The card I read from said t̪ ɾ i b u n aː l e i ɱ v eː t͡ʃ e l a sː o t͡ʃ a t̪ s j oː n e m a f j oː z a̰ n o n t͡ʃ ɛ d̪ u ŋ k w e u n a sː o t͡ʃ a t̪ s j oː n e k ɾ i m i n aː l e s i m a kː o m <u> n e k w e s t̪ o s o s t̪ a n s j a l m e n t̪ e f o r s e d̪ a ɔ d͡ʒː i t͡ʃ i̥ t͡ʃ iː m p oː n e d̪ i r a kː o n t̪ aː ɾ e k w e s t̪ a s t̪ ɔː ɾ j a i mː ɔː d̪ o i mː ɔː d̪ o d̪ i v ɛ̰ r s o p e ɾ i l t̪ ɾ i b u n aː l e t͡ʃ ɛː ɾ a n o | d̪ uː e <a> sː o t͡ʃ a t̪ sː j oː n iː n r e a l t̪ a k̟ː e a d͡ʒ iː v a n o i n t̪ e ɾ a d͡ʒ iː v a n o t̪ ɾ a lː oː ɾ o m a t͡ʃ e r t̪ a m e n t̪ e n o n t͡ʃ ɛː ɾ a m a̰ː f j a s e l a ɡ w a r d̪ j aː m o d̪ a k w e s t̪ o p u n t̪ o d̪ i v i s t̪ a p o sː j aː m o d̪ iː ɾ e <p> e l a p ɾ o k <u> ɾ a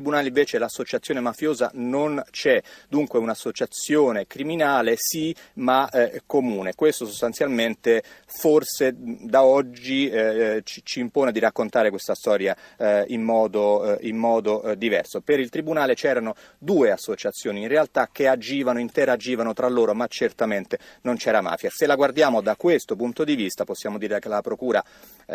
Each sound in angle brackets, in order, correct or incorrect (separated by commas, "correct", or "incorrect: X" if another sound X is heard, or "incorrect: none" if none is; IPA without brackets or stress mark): incorrect: uː, correct, incorrect: k, incorrect: uː